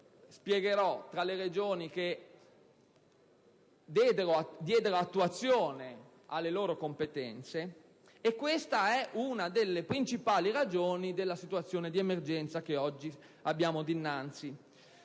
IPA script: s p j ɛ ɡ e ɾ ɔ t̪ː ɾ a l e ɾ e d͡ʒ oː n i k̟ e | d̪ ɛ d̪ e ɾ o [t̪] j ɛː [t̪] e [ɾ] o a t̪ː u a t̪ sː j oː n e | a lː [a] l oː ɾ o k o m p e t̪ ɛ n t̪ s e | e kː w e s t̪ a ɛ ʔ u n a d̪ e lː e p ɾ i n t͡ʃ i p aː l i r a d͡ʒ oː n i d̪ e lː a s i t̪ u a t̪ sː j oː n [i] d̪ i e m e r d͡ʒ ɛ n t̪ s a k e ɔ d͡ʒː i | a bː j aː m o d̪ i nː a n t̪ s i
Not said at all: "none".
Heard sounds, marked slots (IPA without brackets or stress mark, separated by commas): d̪, d̪, ɾ, e, e